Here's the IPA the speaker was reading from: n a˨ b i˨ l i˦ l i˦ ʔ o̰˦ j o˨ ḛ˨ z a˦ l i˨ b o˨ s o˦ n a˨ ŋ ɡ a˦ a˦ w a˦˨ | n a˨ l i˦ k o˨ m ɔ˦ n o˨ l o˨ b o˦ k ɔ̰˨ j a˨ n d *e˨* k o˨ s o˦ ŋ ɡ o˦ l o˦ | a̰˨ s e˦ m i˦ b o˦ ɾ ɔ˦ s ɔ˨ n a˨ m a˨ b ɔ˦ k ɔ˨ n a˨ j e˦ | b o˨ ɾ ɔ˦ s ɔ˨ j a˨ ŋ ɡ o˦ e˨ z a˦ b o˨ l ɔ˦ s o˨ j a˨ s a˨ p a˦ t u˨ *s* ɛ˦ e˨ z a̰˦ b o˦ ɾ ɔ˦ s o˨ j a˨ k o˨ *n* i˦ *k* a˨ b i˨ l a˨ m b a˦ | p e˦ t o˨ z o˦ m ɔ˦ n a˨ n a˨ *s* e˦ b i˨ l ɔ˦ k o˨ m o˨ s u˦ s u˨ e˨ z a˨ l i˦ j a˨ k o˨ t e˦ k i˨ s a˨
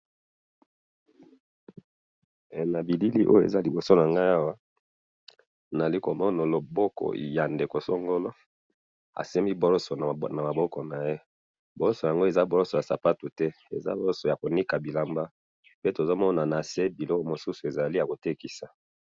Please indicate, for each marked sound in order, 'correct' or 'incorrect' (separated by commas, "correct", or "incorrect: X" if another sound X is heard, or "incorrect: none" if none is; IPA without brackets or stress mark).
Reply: correct, incorrect: t, correct, correct, correct